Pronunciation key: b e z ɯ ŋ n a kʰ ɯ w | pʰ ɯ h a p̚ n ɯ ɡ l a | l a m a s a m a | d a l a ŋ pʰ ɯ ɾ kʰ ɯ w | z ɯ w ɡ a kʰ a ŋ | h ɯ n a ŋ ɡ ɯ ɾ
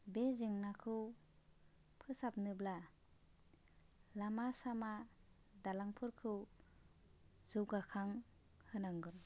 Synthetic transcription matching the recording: b e z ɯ ŋ n a kʰ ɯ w | pʰ ɯ s a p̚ n ɯ b l a | l a m a s a m a | d a l a ŋ pʰ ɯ ɾ kʰ ɯ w | z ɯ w ɡ a kʰ a ŋ | h ɯ n a ŋ ɡ ɯ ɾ